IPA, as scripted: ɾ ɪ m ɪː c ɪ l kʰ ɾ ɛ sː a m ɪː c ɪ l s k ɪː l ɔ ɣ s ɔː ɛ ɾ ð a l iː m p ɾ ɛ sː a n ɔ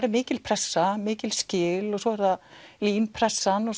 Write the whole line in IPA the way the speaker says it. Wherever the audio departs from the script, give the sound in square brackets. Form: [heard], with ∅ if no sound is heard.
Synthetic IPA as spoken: ɾ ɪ m ɪː c ɪ l [pʰ] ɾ ɛ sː a m ɪː c ɪ l s [c] ɪː l ɔ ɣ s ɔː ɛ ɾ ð a l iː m [pʰ] ɾ ɛ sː a n ɔ